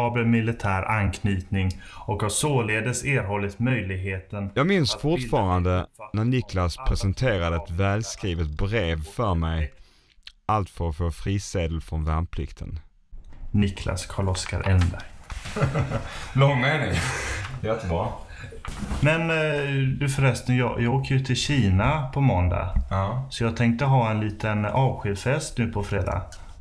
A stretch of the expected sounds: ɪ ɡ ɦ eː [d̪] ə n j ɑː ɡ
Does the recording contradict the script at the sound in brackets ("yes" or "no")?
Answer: yes